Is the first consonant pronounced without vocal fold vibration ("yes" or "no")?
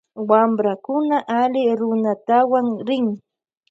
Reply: no